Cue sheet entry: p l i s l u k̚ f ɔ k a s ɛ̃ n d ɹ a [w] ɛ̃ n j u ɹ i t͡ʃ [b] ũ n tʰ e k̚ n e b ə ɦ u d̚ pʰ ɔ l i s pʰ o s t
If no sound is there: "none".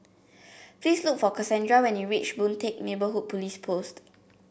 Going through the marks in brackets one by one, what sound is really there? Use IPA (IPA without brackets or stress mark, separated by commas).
w, b